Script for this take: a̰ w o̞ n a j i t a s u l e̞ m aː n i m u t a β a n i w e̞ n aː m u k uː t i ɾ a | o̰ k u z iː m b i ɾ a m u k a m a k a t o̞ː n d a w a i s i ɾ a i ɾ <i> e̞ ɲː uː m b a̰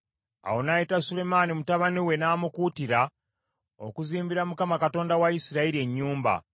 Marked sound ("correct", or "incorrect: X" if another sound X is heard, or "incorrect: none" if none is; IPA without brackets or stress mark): correct